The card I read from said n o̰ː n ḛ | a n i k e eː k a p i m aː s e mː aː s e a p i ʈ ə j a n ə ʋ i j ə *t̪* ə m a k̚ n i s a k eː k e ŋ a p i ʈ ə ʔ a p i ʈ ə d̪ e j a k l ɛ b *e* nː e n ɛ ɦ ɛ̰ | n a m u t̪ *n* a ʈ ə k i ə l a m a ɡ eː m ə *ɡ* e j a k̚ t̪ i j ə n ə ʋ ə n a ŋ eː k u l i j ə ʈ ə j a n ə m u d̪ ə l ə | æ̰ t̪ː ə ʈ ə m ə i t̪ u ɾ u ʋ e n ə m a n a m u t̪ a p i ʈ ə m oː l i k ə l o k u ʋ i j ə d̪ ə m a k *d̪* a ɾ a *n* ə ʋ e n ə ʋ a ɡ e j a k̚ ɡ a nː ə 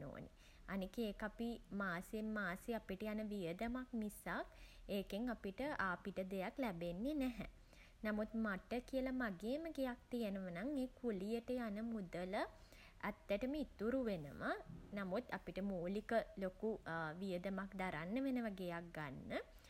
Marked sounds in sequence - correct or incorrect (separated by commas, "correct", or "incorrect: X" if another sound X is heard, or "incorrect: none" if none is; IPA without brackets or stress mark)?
incorrect: d̪, correct, incorrect: m, correct, correct, incorrect: nː